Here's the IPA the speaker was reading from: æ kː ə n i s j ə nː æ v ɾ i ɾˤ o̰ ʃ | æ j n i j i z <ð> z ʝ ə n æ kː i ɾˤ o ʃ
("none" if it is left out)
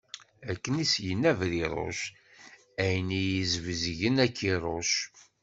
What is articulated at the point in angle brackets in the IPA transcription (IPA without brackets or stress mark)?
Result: v